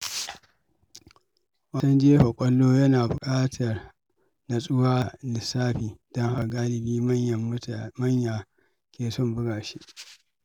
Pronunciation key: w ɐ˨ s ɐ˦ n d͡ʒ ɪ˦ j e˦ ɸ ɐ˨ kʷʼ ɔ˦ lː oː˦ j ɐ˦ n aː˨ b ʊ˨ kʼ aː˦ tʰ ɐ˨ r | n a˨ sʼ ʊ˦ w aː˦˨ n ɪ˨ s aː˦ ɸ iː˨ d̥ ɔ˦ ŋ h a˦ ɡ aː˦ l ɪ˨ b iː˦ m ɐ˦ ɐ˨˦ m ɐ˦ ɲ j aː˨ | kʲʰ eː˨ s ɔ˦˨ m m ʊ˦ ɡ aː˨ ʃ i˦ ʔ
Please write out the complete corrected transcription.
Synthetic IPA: w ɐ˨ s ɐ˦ n d͡ʒ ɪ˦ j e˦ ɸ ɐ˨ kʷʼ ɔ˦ lː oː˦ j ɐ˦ n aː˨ b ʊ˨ kʼ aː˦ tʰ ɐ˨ r | n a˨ sʼ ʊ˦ w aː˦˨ n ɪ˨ s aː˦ ɸ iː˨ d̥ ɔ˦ ŋ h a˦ ɡ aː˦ l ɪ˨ b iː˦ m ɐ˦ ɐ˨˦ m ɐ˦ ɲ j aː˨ | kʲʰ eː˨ s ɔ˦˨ m b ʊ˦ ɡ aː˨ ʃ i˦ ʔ